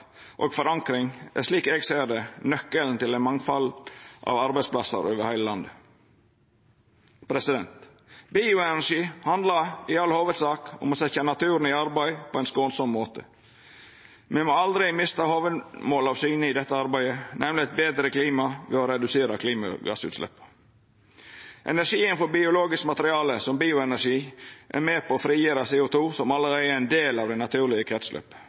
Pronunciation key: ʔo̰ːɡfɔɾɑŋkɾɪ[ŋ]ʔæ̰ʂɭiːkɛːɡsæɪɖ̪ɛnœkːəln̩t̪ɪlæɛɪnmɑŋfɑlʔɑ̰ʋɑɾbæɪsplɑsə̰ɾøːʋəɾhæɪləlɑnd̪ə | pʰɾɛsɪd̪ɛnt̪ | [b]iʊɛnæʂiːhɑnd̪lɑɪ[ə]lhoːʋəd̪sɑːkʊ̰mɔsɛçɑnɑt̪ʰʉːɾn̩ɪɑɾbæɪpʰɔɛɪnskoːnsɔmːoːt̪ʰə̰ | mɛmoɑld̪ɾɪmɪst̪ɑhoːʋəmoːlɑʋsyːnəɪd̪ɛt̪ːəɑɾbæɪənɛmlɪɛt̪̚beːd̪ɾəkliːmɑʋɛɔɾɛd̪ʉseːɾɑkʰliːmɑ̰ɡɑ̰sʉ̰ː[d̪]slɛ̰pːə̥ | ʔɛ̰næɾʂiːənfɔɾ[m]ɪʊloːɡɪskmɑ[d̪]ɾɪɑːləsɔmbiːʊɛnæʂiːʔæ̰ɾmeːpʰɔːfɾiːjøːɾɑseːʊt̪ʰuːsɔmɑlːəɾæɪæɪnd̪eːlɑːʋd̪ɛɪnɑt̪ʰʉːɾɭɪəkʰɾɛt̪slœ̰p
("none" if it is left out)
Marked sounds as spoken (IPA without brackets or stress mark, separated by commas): ŋ, b, ɑ, t̪, b, t̪